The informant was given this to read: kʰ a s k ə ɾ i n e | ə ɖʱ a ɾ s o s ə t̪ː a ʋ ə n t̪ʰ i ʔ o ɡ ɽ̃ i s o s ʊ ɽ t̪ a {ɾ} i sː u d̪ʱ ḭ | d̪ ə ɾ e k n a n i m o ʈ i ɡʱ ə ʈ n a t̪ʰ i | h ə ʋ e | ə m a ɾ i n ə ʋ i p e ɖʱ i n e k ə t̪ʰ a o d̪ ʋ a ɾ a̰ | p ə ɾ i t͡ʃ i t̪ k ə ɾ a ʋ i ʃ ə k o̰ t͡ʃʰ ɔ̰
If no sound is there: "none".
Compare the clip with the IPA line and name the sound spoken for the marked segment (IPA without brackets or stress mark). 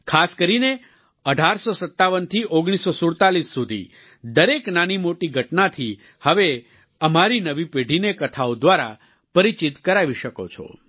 l